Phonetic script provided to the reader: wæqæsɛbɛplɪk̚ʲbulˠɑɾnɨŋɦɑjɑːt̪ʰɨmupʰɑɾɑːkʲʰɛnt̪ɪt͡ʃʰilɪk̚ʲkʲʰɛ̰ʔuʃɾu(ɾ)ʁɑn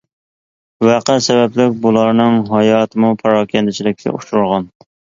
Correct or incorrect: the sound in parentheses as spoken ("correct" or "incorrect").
correct